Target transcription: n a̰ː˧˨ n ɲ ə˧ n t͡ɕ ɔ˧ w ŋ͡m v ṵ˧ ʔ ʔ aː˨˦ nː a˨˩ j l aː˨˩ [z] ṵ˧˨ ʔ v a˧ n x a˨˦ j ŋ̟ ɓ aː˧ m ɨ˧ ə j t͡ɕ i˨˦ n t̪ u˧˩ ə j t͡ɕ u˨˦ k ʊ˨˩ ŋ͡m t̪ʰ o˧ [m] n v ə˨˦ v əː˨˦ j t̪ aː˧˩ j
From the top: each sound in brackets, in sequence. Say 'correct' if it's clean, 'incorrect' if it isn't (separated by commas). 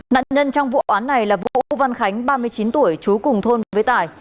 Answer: incorrect, incorrect